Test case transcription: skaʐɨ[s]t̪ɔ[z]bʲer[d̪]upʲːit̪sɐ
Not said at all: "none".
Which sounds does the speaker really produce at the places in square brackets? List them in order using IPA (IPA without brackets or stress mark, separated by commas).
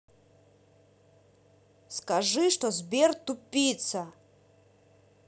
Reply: ʂ, z, t̪